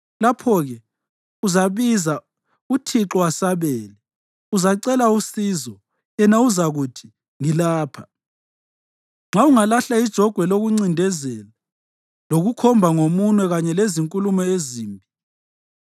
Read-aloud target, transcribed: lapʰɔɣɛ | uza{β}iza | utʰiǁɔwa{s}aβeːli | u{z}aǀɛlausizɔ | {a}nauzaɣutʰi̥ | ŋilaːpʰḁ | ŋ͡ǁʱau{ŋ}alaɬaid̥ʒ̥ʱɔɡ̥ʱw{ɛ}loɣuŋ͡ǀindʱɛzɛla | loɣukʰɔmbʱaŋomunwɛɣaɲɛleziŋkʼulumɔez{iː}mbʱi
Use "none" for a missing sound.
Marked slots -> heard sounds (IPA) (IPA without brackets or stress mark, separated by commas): β, s, z, ɛ, ŋ, ɛ, iː